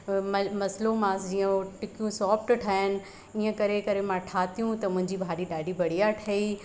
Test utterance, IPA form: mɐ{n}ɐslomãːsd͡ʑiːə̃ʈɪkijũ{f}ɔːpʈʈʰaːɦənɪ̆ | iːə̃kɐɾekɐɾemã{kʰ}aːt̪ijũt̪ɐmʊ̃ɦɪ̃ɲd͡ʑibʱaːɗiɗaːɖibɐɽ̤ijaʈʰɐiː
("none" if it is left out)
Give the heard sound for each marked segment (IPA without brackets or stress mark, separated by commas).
m, s, ʈʰ